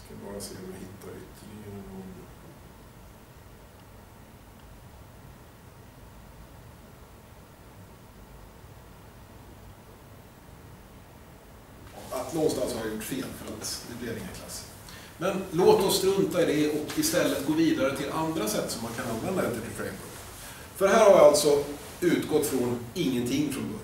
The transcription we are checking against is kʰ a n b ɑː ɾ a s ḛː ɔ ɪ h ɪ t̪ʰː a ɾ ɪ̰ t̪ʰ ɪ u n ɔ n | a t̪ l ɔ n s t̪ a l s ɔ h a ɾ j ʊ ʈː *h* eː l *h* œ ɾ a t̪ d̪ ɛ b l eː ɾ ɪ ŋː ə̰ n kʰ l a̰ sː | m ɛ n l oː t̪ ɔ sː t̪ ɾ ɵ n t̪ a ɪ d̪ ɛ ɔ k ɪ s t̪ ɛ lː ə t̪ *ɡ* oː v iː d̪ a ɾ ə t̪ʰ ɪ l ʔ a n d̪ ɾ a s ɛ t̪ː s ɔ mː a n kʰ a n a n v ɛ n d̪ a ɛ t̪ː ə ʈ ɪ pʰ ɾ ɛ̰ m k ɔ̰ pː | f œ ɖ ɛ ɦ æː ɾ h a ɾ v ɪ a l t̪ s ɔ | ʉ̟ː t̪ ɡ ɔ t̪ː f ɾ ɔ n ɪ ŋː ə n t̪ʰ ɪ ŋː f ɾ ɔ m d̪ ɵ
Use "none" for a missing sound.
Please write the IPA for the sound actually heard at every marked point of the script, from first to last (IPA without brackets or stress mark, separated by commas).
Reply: f, f, ɡ